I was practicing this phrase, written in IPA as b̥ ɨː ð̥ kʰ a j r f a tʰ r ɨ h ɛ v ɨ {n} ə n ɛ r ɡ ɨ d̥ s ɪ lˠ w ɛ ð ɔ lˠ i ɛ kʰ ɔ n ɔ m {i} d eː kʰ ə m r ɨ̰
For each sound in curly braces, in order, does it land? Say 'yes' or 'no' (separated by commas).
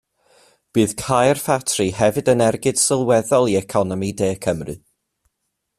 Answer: no, yes